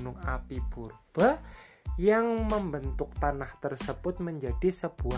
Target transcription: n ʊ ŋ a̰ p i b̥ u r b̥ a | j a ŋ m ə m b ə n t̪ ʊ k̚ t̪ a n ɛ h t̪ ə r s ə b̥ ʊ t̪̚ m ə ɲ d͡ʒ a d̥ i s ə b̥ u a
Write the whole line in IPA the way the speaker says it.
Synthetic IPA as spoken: n ʊ ŋ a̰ p i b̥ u r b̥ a | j a ŋ m ə m b ə n t̪ ʊ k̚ t̪ a n a h t̪ ə r s ə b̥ ʊ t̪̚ m ə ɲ d͡ʒ a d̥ i s ə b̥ u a